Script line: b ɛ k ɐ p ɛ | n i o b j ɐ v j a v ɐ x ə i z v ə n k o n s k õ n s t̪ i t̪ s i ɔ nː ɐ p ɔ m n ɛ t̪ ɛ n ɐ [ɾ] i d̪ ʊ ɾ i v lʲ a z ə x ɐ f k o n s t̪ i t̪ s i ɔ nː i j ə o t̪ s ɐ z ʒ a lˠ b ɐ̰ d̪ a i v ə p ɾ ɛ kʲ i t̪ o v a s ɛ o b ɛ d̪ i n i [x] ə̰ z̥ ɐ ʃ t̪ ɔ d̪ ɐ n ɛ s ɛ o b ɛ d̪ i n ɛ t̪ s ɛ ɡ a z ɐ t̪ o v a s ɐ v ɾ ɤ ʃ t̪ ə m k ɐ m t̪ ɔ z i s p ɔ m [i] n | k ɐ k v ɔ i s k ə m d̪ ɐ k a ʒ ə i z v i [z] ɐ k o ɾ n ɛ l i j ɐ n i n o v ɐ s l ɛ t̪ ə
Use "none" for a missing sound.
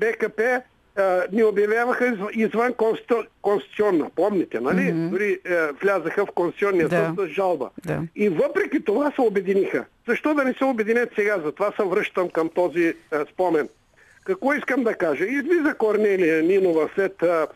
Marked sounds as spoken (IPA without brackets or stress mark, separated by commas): l, x, ɛ, z